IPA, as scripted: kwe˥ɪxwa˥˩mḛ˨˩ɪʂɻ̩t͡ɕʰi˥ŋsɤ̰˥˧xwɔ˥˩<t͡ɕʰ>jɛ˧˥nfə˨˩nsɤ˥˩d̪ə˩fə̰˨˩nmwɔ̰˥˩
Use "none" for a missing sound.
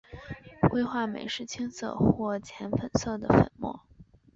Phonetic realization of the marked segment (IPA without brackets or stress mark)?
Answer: t͡ɕʰ